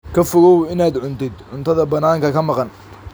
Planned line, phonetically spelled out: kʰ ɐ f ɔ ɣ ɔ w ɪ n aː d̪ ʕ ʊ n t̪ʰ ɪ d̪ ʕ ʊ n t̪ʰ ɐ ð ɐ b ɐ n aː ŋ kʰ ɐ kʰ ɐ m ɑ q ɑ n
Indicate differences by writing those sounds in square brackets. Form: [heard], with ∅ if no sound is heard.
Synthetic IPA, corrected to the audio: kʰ ɐ f ɔ ɣ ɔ w ɪ n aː d̪ ʕ ʊ n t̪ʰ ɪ d̪ ʕ ʊ n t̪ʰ ɐ ð ɐ b ɐ n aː ŋ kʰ ɐ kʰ ɐ m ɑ q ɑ n